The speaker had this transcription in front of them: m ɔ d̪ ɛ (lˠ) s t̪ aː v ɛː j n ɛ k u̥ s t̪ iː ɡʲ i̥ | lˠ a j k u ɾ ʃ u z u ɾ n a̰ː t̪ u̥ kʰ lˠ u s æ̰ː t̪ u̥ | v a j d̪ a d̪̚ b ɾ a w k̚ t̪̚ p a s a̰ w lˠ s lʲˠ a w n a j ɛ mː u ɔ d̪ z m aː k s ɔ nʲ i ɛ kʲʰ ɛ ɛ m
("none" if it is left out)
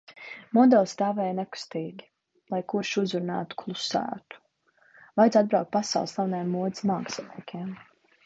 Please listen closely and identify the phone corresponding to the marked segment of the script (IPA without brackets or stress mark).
lˠ